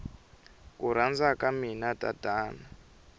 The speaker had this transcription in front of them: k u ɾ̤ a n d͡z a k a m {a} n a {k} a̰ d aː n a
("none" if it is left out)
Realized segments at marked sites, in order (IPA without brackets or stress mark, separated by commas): i, t